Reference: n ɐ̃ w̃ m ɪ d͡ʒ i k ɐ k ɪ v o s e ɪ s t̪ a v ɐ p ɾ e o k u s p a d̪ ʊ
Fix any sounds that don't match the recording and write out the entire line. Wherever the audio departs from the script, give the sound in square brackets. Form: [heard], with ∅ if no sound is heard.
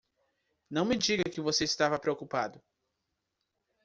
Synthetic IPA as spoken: n ɐ̃ w̃ m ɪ d͡ʒ i [ɡ] ɐ k ɪ v o s e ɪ s t̪ a v ɐ p ɾ e o k u [∅] p a d̪ ʊ